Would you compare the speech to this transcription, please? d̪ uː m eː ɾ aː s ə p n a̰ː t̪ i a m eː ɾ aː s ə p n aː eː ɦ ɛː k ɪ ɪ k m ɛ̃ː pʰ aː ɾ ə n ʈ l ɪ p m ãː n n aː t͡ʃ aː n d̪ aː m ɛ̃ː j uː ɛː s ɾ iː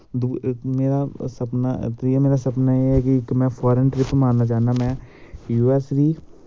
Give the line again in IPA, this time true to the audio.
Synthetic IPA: d̪ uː m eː ɾ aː s ə p n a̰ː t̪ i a m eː ɾ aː s ə p n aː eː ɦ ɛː k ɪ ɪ k m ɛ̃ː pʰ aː ɾ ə n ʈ ɾ ɪ p m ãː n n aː t͡ʃ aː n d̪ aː m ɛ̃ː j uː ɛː s ɾ iː